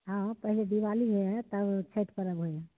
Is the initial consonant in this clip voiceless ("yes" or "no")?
no